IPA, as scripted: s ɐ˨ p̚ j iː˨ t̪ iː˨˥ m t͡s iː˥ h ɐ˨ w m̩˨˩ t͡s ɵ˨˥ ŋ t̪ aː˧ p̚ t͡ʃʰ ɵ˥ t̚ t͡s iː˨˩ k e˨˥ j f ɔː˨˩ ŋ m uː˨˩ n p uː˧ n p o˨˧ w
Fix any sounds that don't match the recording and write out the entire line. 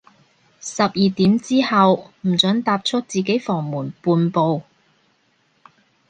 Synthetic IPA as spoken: s ɐ˨ p̚ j iː˨ t̪ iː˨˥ m t͡s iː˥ h ɐ˨ w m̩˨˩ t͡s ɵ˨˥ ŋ t̪ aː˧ p̚ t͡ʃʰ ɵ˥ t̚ t͡s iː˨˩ k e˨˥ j f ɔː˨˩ ŋ m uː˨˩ n p uː˧ n p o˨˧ w